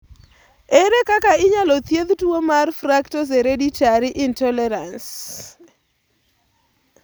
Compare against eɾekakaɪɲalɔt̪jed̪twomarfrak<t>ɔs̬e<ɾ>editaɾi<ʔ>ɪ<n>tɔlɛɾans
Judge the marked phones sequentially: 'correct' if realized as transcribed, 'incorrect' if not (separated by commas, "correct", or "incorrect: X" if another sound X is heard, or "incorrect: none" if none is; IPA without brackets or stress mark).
correct, correct, correct, correct